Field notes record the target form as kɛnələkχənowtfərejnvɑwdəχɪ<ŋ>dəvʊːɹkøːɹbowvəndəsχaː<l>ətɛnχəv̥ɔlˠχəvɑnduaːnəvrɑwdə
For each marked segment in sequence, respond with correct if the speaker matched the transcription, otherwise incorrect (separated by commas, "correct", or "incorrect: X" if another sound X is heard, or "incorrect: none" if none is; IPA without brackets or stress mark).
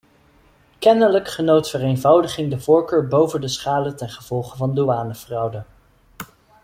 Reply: correct, correct